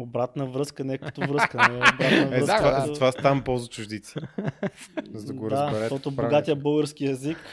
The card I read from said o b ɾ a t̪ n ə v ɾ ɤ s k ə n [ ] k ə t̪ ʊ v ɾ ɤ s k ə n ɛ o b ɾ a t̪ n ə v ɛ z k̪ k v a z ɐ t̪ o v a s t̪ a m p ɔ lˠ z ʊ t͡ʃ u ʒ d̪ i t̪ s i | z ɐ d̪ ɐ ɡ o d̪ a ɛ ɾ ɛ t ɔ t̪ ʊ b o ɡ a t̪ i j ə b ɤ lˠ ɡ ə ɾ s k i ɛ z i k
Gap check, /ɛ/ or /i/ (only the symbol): ɛ